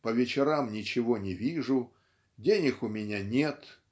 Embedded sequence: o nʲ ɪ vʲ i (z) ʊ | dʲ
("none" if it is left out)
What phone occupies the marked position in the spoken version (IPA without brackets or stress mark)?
ʐ